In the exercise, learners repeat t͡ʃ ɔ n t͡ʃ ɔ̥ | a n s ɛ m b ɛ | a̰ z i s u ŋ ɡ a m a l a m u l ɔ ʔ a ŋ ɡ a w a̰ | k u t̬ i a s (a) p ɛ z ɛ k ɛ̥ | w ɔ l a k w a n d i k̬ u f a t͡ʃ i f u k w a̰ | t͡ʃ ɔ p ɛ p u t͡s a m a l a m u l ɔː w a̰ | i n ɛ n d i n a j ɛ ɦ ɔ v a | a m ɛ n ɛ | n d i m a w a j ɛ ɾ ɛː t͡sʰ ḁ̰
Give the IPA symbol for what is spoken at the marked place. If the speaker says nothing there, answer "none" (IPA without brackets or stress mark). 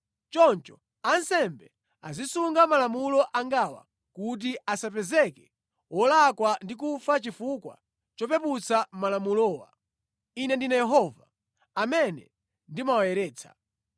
a